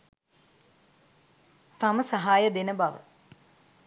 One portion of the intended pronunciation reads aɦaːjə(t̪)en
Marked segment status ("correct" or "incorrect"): incorrect